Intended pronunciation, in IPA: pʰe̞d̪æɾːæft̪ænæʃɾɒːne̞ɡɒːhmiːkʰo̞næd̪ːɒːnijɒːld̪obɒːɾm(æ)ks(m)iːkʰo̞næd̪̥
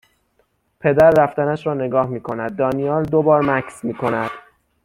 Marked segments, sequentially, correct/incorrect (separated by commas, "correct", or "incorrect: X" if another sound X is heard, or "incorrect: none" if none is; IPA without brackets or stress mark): correct, correct